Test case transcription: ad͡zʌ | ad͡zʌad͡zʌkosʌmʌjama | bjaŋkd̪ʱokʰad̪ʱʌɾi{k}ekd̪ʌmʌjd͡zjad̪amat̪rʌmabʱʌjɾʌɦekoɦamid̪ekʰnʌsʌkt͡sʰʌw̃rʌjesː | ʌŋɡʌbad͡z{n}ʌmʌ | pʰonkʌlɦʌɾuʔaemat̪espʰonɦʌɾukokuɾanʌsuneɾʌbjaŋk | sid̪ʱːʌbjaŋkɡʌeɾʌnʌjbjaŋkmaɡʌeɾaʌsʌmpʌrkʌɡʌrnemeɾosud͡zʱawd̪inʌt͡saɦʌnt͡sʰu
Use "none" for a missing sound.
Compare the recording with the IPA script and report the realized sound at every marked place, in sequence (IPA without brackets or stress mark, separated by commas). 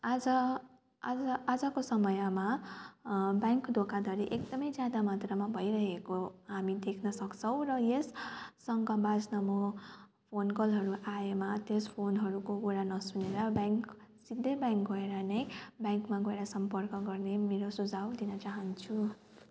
ʔ, n